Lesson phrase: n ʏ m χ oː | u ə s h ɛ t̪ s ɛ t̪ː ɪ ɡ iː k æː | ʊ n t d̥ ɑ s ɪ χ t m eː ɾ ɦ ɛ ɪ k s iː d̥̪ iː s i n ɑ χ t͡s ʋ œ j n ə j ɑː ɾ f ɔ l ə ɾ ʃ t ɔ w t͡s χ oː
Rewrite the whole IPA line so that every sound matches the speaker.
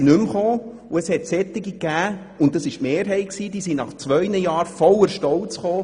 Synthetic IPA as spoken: n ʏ m χ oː | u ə s h ɛ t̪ s ɛ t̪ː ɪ ɡ i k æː | ʊ n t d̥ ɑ s ɪ ʃ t m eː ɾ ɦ ɛ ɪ k s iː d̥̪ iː s i n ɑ χ t͡s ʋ œ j n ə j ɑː ɾ f ɔ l ə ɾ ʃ t ɔ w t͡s χ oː